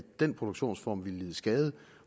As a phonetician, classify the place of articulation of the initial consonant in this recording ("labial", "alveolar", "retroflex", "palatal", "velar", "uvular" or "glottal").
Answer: alveolar